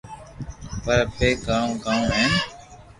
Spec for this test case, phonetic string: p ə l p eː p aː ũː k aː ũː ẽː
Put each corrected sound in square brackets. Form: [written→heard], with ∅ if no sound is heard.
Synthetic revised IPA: p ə [l→ɾ] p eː [p→k] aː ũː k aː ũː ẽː